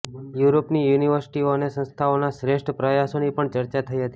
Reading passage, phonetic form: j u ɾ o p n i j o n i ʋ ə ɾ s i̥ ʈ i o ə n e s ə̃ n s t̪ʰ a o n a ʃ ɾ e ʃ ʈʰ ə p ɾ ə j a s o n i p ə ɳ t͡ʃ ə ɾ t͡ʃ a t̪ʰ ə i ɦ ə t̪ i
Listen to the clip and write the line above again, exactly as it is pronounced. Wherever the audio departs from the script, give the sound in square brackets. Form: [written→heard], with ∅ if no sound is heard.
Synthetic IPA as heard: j u ɾ o p n i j [o→u] n i ʋ ə ɾ s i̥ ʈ i o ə n e s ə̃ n s t̪ʰ a o n a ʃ ɾ e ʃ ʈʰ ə p ɾ ə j a s o n i p ə ɳ t͡ʃ ə ɾ t͡ʃ a t̪ʰ ə i ɦ ə t̪ i

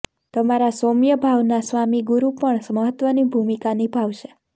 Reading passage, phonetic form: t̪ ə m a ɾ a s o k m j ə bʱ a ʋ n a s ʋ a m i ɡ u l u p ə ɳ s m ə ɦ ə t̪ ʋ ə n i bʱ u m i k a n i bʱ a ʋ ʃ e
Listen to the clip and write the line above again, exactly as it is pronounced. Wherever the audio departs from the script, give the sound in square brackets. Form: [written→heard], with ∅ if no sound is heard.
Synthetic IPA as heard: t̪ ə m a ɾ a s o [k→∅] m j ə bʱ a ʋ n a s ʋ a m i ɡ u [l→ɾ] u p ə ɳ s m ə ɦ ə t̪ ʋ ə n i bʱ u m i k a n i bʱ a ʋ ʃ e

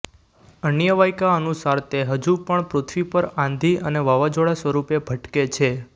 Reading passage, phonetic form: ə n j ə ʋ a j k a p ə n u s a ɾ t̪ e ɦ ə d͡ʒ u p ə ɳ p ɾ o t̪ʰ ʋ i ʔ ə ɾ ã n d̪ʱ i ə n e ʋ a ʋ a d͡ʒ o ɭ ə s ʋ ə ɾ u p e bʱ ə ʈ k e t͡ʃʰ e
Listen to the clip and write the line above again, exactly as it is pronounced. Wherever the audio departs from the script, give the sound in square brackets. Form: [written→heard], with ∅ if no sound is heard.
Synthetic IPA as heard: ə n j ə ʋ a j k a [p→∅] ə n u s a ɾ t̪ e ɦ ə d͡ʒ u p ə ɳ p ɾ o t̪ʰ ʋ i [ʔ→p] ə ɾ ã n d̪ʱ i ə n e ʋ a ʋ a d͡ʒ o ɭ [ə→a] s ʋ ə ɾ u p e bʱ ə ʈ k e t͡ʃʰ e

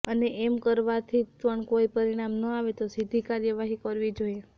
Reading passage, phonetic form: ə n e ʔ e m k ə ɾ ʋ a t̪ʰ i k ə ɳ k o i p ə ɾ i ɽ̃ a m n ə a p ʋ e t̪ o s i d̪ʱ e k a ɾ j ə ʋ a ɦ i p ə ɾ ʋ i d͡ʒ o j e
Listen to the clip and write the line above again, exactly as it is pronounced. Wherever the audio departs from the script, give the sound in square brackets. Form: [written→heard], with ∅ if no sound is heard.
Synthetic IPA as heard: ə n e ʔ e m k ə ɾ ʋ a t̪ʰ i [k→p] ə ɳ k o i p ə ɾ i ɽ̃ a m n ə a [p→∅] ʋ e t̪ o s i d̪ʱ [e→i] k a ɾ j ə ʋ a ɦ i [p→k] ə ɾ ʋ i d͡ʒ o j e

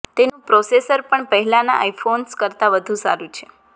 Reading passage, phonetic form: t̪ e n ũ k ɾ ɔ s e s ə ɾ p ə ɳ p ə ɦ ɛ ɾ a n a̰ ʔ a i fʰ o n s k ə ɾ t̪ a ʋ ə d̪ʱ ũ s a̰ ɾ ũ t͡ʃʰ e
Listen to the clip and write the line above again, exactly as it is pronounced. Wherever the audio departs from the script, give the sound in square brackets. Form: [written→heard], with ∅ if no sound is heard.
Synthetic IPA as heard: t̪ e n ũ [k→p] ɾ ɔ s e s ə ɾ p ə ɳ p ə ɦ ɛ [ɾ→l] a n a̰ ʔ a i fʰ o n s k ə ɾ t̪ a ʋ ə d̪ʱ ũ s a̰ ɾ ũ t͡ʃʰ e

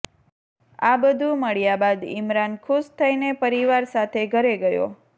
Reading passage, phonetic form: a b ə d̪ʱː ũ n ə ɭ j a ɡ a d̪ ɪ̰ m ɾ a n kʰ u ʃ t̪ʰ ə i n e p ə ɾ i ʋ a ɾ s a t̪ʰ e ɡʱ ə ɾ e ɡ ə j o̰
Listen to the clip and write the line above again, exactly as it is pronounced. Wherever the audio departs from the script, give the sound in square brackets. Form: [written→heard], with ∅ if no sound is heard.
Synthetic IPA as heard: a b ə [d̪ʱː→d̪ʱ] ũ [n→m] ə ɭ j a [ɡ→b] a d̪ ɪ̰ m ɾ a n kʰ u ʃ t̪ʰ ə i n e p ə ɾ i ʋ a ɾ s a t̪ʰ e ɡʱ ə ɾ e ɡ ə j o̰

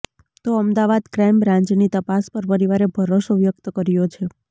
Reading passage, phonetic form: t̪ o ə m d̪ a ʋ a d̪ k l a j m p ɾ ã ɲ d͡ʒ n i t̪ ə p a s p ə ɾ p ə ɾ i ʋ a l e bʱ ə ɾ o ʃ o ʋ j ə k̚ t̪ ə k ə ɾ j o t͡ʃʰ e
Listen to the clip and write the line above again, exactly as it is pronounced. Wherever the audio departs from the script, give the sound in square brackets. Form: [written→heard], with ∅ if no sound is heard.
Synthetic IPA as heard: t̪ o ə m d̪ a ʋ a d̪ k [l→ɾ] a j m [p→b] ɾ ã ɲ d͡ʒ n i t̪ ə p a s p ə ɾ p ə ɾ i ʋ a [l→ɾ] e bʱ ə ɾ o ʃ o ʋ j ə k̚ t̪ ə k ə ɾ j o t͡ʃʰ e

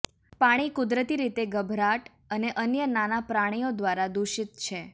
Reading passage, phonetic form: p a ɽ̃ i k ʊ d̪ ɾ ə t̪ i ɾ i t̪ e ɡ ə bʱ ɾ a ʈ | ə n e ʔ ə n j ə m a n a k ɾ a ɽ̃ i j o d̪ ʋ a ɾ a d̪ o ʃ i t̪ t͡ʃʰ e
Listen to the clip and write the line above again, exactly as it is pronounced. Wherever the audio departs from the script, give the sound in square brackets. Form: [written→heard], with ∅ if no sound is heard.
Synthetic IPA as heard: p a ɽ̃ i k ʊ d̪ ɾ ə t̪ i ɾ i t̪ e ɡ ə bʱ ɾ a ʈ | ə n e ʔ ə n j ə [m→n] a n a [k→p] ɾ a ɽ̃ i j o d̪ ʋ a ɾ a d̪ [o→u] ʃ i t̪ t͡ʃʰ e

